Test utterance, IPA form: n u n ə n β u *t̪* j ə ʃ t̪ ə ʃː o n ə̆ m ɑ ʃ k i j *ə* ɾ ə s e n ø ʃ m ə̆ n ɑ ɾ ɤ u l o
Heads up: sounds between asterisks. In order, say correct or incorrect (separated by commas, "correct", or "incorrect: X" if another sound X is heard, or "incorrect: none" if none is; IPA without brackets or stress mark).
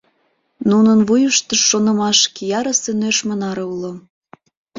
incorrect: none, incorrect: ɑ